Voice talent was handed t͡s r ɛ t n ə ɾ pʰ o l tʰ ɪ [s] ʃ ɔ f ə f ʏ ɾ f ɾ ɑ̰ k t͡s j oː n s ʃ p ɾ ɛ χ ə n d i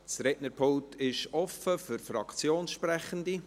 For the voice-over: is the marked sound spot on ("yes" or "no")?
no